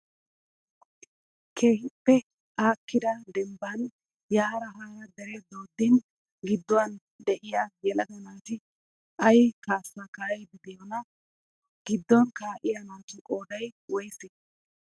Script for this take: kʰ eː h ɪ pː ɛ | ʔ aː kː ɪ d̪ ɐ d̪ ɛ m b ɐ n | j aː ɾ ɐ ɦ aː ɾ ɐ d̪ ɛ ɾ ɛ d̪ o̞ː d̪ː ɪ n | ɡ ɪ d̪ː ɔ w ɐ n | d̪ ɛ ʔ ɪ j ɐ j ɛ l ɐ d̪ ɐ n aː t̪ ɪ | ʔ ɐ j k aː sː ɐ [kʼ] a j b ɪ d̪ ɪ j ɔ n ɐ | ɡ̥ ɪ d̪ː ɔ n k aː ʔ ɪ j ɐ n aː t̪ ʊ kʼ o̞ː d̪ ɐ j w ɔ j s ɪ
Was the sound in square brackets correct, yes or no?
no